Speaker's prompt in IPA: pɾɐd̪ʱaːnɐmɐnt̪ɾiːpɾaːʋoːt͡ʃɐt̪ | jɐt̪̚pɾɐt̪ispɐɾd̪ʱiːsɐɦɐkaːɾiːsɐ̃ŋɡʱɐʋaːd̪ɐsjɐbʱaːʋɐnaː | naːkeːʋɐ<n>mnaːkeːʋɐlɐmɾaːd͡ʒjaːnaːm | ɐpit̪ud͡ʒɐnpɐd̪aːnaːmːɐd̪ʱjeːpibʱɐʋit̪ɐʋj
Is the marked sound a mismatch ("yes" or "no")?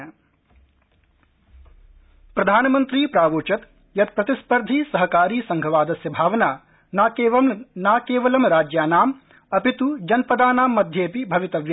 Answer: yes